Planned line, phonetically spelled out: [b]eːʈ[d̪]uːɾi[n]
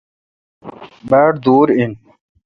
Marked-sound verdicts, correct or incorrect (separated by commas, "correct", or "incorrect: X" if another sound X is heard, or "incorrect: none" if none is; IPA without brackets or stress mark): correct, correct, correct